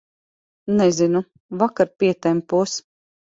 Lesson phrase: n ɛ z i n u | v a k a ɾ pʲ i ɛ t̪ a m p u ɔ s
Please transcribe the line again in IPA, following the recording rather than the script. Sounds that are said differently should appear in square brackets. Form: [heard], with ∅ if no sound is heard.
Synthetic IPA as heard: n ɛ z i n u | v a k a ɾ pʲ i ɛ t̪ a m p u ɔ s